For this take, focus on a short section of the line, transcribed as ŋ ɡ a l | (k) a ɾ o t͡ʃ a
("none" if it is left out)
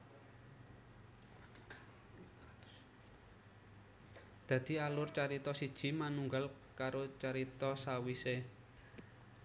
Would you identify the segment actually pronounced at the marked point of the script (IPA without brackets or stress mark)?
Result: k